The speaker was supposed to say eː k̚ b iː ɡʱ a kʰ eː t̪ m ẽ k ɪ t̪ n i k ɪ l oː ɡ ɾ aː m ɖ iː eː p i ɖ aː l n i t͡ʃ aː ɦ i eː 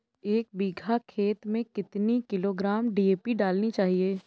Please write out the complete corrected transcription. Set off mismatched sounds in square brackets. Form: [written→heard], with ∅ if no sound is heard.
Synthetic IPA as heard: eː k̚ b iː ɡʱ a kʰ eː t̪ m ẽ k ɪ t̪ n i k ɪ l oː ɡ ɾ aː m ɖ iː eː p i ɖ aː l n i t͡ʃ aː ɦ i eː